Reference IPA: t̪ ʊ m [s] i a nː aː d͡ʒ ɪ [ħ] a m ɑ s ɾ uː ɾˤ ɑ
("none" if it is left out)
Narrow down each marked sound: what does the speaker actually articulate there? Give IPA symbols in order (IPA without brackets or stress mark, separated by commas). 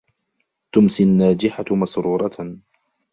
s, ħ